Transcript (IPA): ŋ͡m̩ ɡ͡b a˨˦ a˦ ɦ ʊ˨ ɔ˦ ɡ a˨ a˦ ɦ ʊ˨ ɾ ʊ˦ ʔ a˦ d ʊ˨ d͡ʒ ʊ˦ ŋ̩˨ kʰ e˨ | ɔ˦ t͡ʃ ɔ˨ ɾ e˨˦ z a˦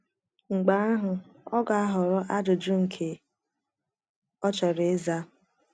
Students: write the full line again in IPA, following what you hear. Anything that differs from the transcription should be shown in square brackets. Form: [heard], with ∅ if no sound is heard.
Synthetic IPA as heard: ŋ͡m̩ ɡ͡b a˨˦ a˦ ɦ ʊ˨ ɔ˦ ɡ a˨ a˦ ɦ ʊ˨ ɾ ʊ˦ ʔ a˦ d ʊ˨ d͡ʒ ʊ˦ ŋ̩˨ kʰ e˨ | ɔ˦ t͡ʃ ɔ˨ ɾ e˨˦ z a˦